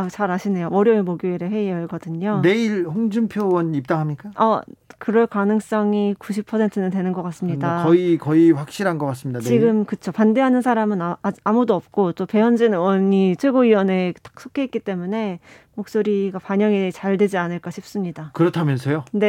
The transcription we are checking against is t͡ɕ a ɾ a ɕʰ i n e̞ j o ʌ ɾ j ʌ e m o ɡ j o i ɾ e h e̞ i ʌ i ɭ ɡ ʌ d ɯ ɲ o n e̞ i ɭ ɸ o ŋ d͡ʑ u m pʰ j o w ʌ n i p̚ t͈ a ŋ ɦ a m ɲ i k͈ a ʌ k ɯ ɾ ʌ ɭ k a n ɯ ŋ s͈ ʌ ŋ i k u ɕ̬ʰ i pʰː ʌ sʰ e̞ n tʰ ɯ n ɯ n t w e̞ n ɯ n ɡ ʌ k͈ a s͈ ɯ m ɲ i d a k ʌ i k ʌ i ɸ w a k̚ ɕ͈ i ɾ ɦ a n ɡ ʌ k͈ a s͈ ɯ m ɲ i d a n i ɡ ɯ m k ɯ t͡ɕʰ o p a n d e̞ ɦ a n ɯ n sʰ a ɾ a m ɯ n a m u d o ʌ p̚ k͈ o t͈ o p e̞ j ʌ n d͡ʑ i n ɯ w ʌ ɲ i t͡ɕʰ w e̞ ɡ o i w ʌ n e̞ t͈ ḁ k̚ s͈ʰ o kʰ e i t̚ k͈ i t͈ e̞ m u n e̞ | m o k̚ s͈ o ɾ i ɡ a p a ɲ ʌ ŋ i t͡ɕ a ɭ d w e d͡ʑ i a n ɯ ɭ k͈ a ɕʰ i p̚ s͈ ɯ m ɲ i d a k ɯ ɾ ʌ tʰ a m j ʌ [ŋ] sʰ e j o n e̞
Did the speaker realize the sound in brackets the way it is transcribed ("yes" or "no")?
no